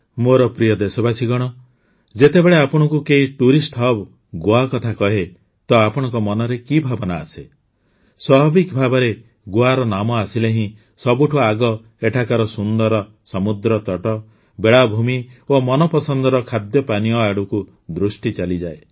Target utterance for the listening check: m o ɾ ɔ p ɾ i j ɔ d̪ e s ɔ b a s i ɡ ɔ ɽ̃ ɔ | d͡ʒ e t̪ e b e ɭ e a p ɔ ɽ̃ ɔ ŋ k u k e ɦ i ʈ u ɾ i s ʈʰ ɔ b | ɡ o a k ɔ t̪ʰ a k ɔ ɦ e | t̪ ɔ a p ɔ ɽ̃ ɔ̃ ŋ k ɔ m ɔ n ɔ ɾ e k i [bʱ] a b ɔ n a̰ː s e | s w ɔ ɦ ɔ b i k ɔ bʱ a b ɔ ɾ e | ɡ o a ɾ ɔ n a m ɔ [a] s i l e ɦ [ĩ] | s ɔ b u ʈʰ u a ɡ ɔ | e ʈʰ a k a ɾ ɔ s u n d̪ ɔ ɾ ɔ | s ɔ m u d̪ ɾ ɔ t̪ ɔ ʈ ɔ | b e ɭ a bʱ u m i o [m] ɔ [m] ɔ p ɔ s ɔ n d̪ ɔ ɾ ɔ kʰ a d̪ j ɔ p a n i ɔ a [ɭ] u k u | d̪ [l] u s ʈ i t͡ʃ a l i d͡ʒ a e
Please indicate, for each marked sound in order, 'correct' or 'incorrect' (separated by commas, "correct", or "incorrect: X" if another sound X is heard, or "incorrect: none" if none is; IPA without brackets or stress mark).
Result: correct, correct, correct, correct, incorrect: n, incorrect: ɽ, incorrect: ɾ